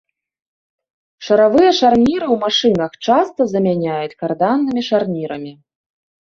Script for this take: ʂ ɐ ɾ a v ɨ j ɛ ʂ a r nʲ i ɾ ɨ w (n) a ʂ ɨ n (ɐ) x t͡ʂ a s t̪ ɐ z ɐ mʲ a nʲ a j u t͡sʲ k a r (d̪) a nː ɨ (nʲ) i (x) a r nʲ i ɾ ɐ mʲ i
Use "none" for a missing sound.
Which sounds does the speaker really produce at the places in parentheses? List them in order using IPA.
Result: m, ɐ, d̪, mʲ, ʂ

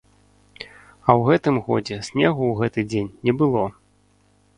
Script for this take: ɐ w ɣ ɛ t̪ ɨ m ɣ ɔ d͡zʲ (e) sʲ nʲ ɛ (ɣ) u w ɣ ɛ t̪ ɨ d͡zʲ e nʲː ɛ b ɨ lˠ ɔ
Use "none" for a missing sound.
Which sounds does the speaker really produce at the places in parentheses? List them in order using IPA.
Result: ɛ, ɣ

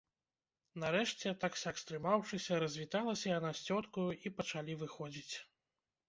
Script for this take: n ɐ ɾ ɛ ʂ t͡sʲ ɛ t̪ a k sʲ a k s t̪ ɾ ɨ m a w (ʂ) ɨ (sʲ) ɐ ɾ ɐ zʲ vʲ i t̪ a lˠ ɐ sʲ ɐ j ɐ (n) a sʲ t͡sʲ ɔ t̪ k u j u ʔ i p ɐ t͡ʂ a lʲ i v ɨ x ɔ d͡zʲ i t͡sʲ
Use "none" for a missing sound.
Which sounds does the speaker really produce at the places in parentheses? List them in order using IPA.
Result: ʂ, sʲ, n

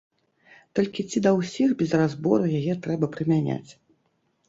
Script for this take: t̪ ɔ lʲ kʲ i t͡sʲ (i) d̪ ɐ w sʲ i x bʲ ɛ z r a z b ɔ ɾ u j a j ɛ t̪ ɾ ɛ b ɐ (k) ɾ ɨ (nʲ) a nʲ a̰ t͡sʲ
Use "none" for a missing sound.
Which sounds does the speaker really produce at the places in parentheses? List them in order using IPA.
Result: i, p, mʲ

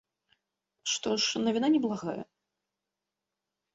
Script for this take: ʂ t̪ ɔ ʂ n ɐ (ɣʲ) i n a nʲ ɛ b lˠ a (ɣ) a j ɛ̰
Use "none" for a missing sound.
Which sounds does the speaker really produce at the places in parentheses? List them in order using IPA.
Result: vʲ, ɣ

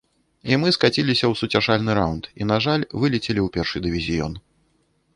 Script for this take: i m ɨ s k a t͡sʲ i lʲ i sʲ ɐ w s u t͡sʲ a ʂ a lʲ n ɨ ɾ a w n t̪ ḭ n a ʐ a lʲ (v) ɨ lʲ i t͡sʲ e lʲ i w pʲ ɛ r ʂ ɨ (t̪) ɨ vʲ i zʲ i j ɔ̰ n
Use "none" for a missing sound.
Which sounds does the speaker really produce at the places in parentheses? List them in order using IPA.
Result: v, d̪

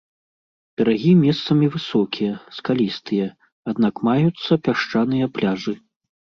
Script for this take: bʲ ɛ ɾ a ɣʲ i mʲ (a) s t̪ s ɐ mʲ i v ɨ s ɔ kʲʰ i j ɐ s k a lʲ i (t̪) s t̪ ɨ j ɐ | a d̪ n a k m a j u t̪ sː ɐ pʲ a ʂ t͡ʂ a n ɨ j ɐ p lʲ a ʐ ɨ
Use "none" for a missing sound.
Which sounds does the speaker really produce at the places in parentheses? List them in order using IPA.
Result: ɛ, none

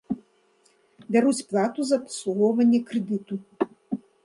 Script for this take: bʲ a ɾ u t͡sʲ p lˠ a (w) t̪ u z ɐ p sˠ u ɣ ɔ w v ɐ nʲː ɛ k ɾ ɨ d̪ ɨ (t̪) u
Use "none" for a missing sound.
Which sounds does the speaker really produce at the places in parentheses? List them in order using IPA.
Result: none, t̪

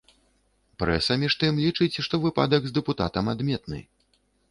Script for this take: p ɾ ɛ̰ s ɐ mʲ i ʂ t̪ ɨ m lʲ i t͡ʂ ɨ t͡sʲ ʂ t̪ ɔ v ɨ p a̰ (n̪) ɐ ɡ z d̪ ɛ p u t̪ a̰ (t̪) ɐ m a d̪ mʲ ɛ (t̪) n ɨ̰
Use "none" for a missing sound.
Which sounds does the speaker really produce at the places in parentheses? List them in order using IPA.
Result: d̪, t̪, t̪

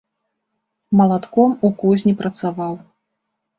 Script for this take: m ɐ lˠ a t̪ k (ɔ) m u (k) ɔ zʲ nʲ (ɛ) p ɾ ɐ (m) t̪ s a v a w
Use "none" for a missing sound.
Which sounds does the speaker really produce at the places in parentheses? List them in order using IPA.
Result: ɔ, k, i, none

